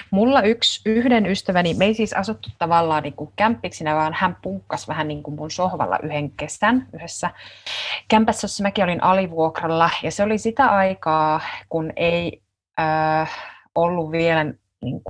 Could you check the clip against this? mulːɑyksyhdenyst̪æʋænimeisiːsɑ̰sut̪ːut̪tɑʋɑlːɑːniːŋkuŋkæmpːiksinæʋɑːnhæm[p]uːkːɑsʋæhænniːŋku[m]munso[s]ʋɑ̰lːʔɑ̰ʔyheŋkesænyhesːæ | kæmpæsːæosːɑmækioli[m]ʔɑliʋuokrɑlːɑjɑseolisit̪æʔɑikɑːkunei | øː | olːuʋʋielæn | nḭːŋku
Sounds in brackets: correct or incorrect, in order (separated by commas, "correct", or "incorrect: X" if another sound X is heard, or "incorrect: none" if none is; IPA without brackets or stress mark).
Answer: correct, correct, incorrect: h, incorrect: n